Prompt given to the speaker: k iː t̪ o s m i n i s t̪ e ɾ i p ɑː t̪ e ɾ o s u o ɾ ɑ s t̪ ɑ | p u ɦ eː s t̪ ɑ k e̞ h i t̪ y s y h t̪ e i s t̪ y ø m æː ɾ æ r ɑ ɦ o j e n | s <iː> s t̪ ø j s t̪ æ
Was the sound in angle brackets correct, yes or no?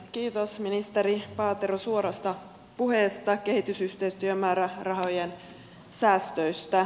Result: no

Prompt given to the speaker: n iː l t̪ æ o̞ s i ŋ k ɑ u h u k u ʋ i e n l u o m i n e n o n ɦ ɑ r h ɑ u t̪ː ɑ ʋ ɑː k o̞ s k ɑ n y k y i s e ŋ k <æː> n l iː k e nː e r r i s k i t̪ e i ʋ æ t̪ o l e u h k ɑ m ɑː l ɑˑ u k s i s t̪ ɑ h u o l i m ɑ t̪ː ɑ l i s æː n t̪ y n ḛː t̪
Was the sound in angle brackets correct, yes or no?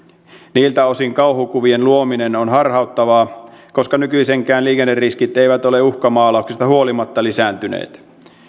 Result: yes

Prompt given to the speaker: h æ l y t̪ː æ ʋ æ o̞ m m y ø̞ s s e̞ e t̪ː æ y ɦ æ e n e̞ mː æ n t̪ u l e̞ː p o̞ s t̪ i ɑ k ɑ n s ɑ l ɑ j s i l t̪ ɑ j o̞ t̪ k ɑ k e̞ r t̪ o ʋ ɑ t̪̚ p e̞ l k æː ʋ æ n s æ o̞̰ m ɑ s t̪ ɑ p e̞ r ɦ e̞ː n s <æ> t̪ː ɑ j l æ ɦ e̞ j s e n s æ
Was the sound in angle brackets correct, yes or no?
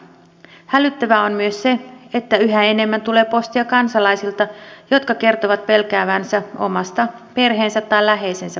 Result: yes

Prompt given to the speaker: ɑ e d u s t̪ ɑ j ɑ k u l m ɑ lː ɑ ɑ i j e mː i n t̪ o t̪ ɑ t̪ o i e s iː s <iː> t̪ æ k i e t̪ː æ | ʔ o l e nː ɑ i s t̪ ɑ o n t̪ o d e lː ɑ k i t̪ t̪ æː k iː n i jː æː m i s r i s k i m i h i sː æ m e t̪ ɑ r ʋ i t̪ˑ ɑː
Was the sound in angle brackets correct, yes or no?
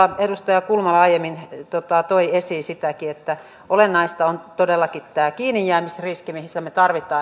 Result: no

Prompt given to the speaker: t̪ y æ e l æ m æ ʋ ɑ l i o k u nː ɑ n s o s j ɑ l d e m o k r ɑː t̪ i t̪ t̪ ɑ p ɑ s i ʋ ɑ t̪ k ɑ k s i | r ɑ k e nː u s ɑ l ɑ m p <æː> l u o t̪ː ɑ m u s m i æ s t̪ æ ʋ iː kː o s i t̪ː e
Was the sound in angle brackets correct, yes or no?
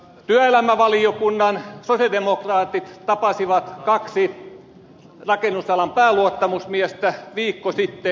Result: yes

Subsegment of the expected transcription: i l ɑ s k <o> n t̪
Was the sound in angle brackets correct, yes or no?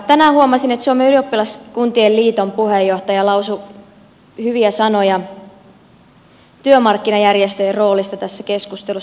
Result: no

